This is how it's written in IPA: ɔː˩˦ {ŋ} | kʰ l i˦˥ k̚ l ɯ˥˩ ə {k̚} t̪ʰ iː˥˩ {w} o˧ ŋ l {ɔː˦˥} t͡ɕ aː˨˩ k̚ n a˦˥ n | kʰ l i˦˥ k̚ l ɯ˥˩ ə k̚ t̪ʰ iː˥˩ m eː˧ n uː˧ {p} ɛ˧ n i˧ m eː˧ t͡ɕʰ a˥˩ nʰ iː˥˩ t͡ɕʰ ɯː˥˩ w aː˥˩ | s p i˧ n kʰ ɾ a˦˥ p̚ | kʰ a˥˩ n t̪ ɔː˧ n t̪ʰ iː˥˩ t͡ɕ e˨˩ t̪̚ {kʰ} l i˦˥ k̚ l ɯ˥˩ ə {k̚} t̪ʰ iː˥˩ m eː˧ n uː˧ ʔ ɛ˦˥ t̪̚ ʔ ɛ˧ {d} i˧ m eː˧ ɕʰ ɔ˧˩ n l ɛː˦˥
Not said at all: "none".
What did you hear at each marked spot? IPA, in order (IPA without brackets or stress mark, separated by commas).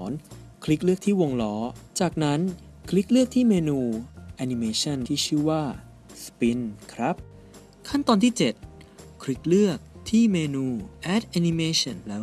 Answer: n, k̚, w, ɔː˦˥, ʔ, kʰ, k̚, n